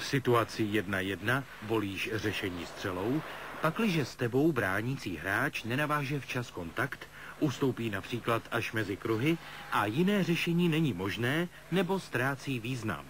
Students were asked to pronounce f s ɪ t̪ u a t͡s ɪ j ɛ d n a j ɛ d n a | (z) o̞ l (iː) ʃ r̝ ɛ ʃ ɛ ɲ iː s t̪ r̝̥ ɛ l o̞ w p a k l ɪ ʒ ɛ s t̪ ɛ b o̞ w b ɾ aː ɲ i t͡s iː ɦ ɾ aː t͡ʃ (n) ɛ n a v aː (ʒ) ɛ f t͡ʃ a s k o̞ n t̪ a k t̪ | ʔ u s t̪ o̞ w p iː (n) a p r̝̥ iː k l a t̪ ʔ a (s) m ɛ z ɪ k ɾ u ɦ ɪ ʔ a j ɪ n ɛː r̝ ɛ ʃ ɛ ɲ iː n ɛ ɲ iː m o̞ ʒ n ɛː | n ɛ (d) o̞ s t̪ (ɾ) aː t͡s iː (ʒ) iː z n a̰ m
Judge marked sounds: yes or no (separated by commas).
no, yes, yes, yes, yes, no, no, yes, no